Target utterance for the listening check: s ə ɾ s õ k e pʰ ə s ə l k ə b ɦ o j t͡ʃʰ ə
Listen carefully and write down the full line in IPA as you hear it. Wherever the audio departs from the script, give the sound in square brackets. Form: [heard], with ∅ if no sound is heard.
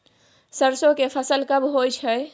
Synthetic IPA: s ə ɾ s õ k e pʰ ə s ə l k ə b ɦ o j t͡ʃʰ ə